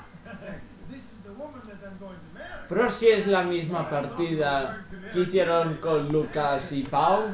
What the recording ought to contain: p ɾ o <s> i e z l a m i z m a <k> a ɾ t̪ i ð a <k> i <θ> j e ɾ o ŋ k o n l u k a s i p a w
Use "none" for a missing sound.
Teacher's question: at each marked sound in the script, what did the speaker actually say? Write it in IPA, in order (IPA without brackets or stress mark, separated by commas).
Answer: s, p, k, θ